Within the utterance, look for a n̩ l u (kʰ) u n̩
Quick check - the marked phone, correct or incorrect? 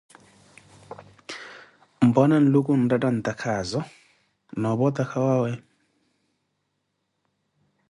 incorrect: k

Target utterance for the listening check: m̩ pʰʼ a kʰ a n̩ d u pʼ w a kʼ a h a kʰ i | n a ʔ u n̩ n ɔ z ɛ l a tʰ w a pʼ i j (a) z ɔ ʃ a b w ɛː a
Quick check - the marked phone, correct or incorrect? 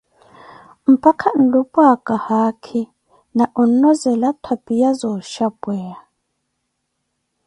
correct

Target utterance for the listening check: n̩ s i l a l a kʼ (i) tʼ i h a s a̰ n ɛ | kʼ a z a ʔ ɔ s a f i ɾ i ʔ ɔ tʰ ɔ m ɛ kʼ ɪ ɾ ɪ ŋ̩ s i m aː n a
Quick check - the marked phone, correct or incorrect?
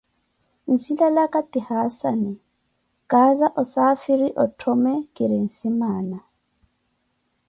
incorrect: a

